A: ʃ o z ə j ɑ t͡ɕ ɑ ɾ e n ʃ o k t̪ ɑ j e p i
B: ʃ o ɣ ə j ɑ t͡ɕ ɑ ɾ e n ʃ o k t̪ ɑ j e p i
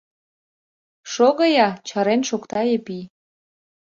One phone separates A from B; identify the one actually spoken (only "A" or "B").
B